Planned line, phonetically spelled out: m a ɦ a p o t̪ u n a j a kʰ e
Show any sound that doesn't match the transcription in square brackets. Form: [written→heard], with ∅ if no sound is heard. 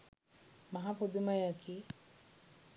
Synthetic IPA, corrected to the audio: m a ɦ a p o [t̪→d̪] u [n→m] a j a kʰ [e→i]